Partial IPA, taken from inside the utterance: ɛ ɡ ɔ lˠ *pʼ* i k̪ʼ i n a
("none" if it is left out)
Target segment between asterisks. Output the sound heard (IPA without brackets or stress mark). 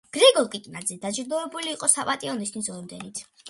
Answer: kʼ